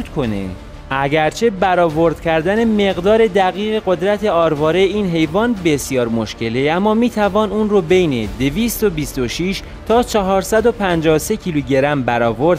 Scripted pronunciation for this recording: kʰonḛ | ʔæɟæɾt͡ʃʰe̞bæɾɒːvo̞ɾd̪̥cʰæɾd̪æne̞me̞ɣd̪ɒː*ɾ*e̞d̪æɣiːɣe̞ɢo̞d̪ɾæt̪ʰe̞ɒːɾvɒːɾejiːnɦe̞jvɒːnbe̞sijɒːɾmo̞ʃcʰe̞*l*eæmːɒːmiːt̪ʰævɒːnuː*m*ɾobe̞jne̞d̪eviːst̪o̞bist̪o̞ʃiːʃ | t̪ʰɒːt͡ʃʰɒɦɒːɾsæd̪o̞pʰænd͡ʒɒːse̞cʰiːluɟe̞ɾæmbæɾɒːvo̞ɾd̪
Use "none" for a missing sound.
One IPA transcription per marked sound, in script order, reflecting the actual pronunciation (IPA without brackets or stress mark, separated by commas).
ɾ, l, n